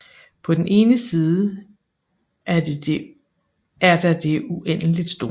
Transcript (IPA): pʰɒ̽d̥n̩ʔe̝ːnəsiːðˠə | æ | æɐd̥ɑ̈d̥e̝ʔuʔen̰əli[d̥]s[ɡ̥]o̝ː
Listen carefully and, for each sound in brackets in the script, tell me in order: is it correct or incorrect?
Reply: correct, incorrect

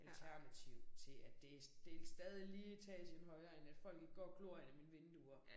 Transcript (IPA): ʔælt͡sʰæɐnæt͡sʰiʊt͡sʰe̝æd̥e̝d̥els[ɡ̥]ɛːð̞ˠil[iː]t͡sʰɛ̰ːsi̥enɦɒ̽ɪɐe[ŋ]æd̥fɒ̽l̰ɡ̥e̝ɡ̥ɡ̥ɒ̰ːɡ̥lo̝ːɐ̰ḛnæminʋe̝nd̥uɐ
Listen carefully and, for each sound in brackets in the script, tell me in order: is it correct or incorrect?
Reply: incorrect, correct, incorrect

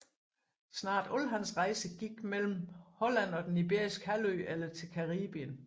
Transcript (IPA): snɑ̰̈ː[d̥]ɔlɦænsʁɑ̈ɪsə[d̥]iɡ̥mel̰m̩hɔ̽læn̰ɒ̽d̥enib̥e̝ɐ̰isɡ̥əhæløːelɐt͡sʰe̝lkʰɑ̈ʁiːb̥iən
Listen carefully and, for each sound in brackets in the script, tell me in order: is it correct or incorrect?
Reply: correct, incorrect

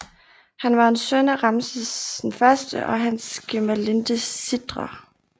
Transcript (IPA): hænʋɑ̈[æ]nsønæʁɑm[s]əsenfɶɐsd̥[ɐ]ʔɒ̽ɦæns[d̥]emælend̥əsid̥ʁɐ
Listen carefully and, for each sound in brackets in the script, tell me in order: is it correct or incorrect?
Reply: incorrect, correct, incorrect, incorrect

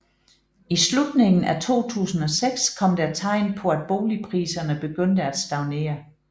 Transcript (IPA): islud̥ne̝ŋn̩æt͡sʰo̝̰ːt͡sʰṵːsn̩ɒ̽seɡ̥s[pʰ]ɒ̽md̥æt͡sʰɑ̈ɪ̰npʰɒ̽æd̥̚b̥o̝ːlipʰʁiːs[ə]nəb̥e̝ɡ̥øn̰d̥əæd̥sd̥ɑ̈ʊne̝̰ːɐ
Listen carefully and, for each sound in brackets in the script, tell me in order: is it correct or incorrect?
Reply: incorrect, incorrect

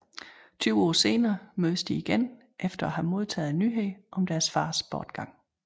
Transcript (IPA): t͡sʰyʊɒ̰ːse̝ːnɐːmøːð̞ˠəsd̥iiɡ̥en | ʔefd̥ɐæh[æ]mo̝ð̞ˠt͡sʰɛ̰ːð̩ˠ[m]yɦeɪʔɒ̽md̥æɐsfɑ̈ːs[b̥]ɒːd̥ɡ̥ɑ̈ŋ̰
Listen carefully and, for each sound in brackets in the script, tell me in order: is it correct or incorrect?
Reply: correct, incorrect, correct

